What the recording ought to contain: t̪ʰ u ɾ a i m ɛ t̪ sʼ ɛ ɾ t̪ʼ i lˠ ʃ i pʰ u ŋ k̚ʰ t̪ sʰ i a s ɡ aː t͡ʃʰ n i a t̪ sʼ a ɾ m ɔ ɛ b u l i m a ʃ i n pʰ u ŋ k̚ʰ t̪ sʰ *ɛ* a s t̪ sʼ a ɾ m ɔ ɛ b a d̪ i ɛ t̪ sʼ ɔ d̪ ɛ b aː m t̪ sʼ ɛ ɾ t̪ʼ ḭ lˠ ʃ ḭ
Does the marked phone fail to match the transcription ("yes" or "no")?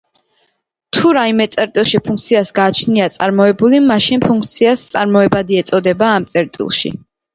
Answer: yes